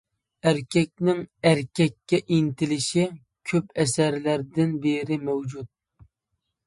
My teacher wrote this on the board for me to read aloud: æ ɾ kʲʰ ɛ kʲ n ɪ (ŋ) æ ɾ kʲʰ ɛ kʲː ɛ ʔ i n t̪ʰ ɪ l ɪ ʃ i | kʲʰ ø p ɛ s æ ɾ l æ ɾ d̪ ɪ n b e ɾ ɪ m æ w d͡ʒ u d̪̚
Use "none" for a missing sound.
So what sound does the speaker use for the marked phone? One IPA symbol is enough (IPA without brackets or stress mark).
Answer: ŋ